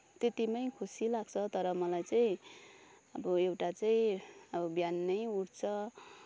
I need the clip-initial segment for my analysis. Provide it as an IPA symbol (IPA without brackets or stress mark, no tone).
t̪